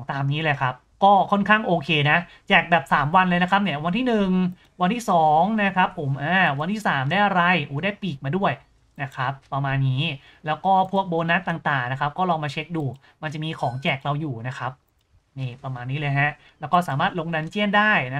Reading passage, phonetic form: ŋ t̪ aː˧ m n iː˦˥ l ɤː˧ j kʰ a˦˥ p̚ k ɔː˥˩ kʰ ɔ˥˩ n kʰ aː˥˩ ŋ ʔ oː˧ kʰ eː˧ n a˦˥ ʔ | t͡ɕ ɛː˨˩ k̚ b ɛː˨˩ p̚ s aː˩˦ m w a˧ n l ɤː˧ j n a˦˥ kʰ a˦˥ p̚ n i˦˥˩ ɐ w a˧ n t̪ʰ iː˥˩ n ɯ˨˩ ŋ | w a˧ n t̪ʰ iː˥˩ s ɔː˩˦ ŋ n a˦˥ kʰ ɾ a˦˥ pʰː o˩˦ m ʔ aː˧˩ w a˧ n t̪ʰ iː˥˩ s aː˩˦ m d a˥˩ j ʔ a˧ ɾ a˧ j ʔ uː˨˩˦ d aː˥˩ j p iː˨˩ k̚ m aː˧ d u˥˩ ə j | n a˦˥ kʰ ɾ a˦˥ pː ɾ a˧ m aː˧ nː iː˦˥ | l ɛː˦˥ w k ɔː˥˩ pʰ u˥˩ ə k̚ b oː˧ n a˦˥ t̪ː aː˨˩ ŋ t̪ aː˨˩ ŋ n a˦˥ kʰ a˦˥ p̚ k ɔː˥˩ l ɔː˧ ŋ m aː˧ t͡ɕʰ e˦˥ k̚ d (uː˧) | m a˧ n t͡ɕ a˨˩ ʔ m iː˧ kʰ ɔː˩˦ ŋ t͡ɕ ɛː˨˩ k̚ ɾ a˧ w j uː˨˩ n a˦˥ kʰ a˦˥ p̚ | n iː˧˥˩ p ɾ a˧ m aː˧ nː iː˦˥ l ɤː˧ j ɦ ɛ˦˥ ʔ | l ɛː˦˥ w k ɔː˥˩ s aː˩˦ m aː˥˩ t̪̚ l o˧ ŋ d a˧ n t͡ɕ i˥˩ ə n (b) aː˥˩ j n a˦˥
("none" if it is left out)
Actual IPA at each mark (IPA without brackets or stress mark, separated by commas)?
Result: uː˧, d